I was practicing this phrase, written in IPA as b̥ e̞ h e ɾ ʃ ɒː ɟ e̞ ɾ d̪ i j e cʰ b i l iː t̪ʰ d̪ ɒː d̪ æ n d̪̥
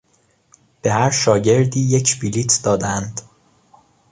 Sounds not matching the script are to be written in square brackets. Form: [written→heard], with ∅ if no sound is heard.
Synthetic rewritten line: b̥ e̞ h [e→æ] ɾ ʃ ɒː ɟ e̞ ɾ d̪ [i→iː] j e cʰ b i l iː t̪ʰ d̪ ɒː d̪ æ n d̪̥